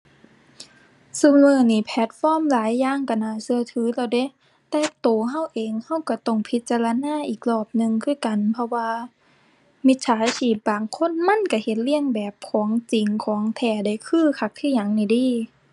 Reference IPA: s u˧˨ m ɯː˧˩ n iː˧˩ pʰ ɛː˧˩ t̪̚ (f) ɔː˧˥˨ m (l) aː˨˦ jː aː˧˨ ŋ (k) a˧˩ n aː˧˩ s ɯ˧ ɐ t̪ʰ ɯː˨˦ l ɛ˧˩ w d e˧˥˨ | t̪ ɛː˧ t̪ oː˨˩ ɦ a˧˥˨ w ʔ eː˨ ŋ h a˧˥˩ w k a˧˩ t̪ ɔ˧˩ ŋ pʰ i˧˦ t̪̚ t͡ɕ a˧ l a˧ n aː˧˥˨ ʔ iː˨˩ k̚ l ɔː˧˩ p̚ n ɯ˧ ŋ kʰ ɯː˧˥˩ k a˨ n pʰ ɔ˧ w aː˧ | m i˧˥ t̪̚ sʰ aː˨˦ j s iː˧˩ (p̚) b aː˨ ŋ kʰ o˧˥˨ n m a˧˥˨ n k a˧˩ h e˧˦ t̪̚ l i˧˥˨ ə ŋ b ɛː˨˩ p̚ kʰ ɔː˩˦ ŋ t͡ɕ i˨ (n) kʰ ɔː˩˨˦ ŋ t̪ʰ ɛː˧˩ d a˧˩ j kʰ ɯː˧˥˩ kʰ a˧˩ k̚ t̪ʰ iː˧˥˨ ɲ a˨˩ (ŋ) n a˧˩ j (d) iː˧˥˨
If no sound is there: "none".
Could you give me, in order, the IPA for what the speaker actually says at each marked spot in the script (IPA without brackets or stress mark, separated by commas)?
f, l, k, p̚, ŋ, ŋ, d